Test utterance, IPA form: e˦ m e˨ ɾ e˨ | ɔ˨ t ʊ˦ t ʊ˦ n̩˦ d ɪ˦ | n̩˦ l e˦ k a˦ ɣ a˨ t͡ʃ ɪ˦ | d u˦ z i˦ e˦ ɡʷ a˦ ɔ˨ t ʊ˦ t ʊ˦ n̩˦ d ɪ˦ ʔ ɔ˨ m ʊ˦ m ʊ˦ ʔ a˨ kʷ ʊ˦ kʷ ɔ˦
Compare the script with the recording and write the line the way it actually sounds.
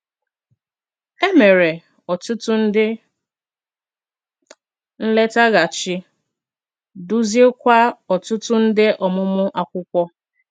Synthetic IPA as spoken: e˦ m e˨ ɾ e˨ | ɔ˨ t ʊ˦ t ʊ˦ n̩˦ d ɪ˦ | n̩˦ l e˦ t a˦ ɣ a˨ t͡ʃ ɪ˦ | d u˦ z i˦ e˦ kʷ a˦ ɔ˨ t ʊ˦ t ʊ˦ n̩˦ d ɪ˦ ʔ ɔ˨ m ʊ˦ m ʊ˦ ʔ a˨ kʷ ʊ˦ kʷ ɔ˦

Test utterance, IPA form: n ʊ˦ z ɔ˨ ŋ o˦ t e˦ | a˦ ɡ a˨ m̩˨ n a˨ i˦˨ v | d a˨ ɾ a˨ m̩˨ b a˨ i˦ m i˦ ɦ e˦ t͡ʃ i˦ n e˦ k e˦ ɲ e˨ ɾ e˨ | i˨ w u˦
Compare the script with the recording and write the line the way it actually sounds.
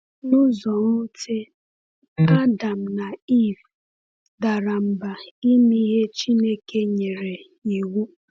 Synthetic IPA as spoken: n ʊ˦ z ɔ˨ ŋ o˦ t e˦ | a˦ d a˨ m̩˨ n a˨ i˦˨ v | d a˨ ɾ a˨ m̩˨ b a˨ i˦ m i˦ ɦ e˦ t͡ʃ i˦ n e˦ k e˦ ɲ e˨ ɾ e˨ | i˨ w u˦

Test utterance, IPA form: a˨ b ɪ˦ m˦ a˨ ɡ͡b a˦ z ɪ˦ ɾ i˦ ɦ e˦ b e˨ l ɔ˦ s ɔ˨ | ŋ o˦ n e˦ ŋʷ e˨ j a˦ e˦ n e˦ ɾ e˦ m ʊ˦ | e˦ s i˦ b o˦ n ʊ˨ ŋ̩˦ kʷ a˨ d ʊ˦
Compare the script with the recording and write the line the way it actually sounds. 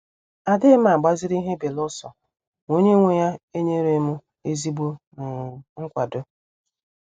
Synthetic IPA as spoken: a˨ d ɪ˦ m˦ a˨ ɡ͡b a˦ z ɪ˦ ɾ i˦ ɦ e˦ b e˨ l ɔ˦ s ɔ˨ | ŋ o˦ ɲ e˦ ŋʷ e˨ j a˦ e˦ ɲ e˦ ɾ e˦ m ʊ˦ | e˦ z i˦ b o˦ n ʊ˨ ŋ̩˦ kʷ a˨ d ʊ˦

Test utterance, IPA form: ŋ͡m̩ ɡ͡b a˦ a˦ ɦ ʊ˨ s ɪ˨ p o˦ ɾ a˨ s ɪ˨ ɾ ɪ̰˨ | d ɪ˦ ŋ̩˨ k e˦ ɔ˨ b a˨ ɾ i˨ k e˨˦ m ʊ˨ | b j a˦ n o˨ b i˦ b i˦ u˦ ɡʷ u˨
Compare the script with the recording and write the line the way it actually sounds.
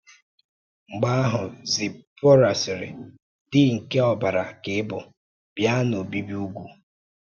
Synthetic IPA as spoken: ŋ͡m̩ ɡ͡b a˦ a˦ ɦ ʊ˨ z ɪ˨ p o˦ ɾ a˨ s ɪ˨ ɾ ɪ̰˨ | d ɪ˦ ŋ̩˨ k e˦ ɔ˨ b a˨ ɾ a˨ k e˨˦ b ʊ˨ | b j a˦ n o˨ b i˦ b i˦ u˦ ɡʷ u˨

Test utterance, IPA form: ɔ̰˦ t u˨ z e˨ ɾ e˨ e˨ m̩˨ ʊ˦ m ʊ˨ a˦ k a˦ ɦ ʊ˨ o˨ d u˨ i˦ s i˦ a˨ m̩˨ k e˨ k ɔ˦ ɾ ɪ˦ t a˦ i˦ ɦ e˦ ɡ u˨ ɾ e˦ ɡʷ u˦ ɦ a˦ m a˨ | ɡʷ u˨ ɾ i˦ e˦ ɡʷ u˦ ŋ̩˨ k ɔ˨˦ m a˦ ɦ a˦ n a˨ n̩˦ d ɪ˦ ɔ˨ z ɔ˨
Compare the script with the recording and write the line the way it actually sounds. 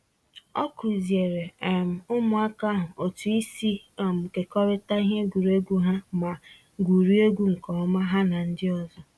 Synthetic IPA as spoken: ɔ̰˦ k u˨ z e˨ ɾ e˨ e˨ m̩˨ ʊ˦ m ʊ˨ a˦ k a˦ ɦ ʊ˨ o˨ t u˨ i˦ s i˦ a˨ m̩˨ k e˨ k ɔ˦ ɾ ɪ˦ t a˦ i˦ ɦ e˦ ɡ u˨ ɾ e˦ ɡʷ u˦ ɦ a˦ m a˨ | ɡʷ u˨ ɾ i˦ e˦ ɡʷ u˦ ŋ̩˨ k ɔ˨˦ m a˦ ɦ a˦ n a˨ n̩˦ d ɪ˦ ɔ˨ z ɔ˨

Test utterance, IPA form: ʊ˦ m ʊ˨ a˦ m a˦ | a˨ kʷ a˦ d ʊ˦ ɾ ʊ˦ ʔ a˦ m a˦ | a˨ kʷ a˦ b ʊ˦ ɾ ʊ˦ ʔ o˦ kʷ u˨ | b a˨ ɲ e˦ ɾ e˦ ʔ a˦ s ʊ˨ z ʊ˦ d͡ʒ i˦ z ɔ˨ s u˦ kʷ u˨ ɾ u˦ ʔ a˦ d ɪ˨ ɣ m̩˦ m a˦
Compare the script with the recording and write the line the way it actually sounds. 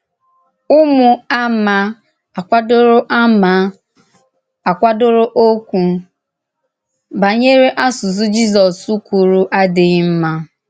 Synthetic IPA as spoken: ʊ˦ m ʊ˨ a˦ m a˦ | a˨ kʷ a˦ d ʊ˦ ɾ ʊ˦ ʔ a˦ m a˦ | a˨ kʷ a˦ d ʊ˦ ɾ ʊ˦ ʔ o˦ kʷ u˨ | b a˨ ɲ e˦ ɾ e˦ ʔ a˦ s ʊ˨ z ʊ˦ d͡ʒ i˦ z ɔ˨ s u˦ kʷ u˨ ɾ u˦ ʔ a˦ d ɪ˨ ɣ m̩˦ m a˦

